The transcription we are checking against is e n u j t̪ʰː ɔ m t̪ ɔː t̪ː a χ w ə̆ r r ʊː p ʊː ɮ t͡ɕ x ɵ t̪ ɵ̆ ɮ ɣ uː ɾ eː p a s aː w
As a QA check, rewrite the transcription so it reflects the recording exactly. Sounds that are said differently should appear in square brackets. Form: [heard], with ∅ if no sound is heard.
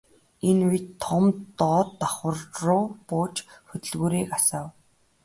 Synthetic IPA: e n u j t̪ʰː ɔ m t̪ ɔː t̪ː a χ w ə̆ r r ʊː p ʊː [∅] t͡ɕ x ɵ t̪ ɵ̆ ɮ ɣ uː ɾ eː [k] a s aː w

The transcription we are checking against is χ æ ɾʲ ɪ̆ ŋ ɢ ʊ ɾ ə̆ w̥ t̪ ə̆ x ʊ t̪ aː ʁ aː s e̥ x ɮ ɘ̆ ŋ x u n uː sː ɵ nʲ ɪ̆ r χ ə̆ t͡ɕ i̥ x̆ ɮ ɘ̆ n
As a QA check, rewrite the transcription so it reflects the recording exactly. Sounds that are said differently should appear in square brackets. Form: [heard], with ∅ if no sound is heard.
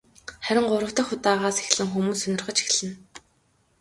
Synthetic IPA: χ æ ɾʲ ɪ̆ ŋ ɢ ʊ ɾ ə̆ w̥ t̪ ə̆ x ʊ t̪ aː ʁ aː s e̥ x ɮ ɘ̆ ŋ x u [m] uː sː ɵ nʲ ɪ̆ r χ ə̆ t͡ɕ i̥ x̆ ɮ ɘ̆ n

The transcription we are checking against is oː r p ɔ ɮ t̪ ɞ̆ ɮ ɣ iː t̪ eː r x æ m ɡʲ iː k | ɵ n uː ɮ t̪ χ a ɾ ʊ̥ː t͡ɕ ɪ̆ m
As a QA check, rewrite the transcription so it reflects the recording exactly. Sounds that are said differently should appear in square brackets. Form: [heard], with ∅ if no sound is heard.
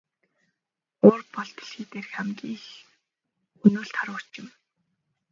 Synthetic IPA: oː r p ɔ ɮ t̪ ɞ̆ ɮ [x] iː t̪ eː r x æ m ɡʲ iː [x] | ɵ n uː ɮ t̪ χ a ɾ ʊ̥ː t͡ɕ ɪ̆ m

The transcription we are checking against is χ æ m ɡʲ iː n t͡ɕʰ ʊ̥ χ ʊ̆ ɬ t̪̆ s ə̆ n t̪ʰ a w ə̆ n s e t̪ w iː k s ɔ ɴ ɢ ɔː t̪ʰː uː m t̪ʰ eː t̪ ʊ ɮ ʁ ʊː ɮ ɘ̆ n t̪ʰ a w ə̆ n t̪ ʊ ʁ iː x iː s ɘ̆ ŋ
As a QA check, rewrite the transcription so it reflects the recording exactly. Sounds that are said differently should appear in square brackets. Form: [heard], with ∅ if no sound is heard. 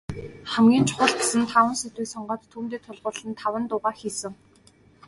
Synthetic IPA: χ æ m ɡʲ iː n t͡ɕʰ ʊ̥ χ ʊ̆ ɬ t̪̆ s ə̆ n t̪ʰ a w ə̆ n s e t̪ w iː k s ɔ ɴ ɢ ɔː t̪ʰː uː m [t̪] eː [t̪ʰ] ʊ ɮ ʁ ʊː ɮ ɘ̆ n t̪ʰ a w ə̆ n t̪ ʊ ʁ [aː] x iː s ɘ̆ ŋ

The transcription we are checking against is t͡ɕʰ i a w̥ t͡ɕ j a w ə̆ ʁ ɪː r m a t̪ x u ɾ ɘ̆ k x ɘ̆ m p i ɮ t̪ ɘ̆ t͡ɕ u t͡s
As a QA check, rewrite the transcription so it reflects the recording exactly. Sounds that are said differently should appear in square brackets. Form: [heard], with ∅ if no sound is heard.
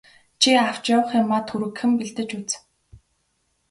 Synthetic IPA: t͡ɕʰ i a w̥ t͡ɕ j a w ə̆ [χ] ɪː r m a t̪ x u ɾ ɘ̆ k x ɘ̆ m p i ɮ t̪ ɘ̆ t͡ɕ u t͡s

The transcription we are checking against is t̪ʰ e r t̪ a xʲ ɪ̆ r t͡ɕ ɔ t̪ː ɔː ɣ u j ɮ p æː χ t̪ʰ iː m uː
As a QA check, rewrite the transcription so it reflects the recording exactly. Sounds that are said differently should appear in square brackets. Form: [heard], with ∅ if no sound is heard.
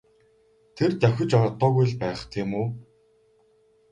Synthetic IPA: t̪ʰ e r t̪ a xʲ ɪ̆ [∅] t͡ɕ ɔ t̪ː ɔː ɣ u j ɮ p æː χ t̪ʰ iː m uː

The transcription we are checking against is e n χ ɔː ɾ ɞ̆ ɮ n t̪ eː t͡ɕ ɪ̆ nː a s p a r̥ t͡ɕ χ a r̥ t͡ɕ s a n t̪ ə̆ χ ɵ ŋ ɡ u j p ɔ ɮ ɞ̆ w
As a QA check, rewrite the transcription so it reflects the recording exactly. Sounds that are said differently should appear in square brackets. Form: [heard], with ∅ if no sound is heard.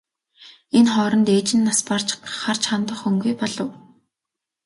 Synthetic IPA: e n χ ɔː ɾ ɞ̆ [∅] n t̪ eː t͡ɕ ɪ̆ nː a s p a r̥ t͡ɕ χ a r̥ t͡ɕ [χ] a n t̪ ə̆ χ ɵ ŋ ɡ u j p ɔ ɮ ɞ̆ w

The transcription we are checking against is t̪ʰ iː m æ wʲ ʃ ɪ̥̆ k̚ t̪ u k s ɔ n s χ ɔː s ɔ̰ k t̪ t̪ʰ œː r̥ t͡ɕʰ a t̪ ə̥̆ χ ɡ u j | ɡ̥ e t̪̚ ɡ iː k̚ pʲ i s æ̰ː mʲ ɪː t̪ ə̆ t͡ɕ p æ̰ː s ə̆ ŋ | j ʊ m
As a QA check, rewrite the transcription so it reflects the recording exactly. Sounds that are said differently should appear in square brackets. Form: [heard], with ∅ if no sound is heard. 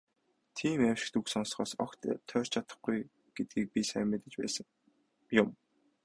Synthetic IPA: t̪ʰ iː m æ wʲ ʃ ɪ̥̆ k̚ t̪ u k s ɔ n s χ ɔː s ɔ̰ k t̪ t̪ʰ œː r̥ t͡ɕʰ a t̪ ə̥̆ χ ɡ u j | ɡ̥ e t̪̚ ɡ iː k̚ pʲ i s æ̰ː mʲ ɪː t̪ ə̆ t͡ɕ p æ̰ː s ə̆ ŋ | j ʊ m

